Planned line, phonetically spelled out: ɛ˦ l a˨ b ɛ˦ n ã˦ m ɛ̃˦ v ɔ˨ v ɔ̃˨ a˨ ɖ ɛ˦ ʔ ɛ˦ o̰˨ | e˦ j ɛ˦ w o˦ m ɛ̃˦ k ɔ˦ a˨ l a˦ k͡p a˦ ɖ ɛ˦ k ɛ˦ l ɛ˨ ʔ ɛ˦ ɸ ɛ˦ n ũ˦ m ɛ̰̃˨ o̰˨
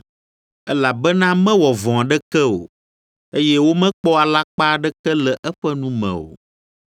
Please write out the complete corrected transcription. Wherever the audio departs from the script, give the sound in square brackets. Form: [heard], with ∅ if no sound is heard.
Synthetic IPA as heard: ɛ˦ l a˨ b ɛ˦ n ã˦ m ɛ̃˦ [w] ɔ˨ v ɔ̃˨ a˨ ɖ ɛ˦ [k] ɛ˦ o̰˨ | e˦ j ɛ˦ w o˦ m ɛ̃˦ [k͡p] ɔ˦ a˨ l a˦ k͡p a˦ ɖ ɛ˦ k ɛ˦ l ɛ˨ ʔ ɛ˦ ɸ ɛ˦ n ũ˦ m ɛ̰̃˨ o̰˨

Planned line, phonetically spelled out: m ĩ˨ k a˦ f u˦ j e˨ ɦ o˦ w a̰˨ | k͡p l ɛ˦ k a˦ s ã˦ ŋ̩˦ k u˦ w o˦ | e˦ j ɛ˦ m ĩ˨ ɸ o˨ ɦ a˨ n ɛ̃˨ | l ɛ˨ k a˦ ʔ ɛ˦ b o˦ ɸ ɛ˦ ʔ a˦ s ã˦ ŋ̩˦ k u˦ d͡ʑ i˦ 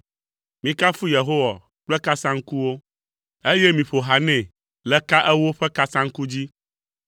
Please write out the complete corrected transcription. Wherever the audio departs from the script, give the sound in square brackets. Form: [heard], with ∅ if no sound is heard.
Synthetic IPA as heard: m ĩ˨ k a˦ f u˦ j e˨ ɦ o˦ w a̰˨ | k͡p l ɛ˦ k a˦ s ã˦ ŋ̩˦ k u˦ w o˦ | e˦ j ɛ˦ m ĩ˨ ɸ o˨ ɦ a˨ n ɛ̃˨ | l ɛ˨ k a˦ ʔ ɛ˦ [w] o˦ ɸ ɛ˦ [k] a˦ s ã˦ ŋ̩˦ k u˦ d͡ʑ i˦

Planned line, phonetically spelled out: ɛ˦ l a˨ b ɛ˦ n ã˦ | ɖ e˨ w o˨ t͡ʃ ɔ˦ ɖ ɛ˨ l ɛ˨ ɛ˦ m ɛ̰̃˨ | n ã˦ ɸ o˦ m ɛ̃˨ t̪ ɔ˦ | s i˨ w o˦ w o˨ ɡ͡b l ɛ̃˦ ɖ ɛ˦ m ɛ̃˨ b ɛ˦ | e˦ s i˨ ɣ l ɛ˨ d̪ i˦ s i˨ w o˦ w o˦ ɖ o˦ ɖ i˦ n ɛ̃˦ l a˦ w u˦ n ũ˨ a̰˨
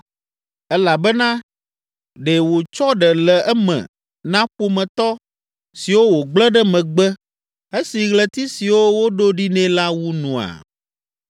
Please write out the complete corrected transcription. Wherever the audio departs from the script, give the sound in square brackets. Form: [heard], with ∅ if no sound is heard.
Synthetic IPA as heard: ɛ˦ l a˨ b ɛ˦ n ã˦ | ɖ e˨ w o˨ t͡ʃ ɔ˦ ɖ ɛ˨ l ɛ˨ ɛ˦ m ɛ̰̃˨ | n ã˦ ɸ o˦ m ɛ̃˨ t̪ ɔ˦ | s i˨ w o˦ w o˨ ɡ͡b l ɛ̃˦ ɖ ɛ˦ m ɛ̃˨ [ɡ͡b] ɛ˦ | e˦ s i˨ ɣ l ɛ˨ [t̪] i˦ s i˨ w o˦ w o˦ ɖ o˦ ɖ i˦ n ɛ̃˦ l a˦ w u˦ n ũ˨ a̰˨

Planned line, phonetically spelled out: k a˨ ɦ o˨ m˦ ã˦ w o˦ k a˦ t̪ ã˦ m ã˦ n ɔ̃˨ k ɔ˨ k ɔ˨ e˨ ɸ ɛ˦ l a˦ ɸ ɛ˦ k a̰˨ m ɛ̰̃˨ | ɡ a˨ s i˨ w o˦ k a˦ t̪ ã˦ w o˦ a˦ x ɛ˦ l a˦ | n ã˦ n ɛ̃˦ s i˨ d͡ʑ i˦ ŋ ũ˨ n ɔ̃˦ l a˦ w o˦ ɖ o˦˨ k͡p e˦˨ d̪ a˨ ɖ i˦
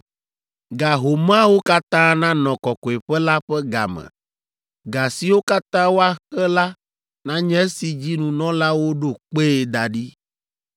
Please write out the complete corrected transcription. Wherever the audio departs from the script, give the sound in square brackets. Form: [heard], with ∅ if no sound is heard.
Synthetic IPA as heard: [ɡ] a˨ ɦ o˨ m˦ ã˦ w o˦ k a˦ t̪ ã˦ [n] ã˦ n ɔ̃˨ k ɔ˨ k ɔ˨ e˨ ɸ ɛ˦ l a˦ ɸ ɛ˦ [ɡ] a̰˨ m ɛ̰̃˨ | ɡ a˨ s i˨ w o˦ k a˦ t̪ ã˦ w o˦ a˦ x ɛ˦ l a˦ | n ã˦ [ɲ] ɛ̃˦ s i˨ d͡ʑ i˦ [n] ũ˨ n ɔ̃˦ l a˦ w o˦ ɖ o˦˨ k͡p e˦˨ d̪ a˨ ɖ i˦

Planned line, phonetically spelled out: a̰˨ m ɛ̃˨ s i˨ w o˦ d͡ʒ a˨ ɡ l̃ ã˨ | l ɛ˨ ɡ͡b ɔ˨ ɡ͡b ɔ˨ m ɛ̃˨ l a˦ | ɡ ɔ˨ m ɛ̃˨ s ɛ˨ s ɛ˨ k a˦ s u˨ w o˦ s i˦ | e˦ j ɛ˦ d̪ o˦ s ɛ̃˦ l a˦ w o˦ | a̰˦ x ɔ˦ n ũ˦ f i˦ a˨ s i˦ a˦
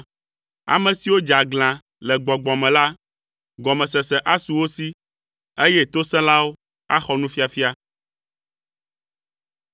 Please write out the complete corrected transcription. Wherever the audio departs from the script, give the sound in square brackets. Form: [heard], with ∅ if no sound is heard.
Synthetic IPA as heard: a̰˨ m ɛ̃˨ s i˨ w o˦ d͡ʒ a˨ ɡ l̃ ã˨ | l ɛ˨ ɡ͡b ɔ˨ ɡ͡b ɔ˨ m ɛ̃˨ l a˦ | ɡ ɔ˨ m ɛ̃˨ s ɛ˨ s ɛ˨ [ʔ] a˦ s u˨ w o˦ s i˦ | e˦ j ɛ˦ [t̪] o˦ s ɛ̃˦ l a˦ w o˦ | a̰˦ x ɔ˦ n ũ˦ f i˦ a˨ [f] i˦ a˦

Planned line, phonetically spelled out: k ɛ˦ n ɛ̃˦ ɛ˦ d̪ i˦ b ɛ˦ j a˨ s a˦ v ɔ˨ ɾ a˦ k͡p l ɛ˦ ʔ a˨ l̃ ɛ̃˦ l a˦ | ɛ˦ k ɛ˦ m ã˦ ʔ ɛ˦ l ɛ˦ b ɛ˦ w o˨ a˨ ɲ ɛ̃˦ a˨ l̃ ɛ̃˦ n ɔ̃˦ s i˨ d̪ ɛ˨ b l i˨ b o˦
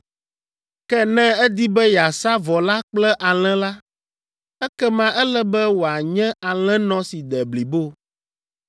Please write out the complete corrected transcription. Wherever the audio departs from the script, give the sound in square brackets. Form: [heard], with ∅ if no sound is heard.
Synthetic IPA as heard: k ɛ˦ n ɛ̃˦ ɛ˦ d̪ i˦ b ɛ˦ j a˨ s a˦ v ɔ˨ [l] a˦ k͡p l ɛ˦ ʔ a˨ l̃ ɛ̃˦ l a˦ | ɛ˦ k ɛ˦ m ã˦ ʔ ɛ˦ l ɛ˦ b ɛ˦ w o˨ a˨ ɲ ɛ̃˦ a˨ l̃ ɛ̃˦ n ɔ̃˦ s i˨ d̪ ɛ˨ b l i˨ b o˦

